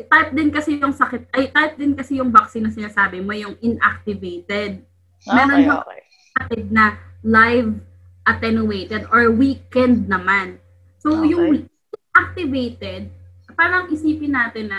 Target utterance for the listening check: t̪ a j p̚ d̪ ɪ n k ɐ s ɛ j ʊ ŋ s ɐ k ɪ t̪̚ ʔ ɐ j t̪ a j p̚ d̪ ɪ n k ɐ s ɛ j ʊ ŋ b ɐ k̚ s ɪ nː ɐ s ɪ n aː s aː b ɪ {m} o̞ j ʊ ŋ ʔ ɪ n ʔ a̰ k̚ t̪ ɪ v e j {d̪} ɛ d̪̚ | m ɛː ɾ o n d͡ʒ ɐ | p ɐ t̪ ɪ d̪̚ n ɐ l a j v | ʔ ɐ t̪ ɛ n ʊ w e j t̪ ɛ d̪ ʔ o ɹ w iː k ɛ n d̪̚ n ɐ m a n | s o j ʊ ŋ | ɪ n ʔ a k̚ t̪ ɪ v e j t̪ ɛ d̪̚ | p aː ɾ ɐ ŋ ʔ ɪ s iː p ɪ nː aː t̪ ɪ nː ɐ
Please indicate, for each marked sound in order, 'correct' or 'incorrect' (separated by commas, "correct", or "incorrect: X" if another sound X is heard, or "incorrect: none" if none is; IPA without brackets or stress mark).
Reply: correct, incorrect: t̪